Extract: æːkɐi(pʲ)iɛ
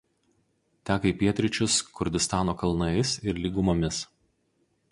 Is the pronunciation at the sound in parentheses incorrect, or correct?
correct